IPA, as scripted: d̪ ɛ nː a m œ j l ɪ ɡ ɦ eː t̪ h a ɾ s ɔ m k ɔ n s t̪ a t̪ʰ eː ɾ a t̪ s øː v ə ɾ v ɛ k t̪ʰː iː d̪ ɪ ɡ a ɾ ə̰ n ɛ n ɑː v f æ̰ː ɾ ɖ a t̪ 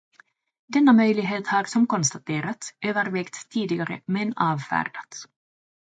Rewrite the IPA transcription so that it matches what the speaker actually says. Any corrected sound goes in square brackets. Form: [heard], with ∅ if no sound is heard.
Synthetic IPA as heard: d̪ ɛ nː a m œ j l ɪ ɡ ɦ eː t̪ h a ɾ s ɔ m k ɔ n s t̪ a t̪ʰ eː ɾ a t̪ s øː v ə ɾ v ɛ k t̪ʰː iː d̪ ɪ ɡ a ɾ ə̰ [m] ɛ n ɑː v f æ̰ː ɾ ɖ a t̪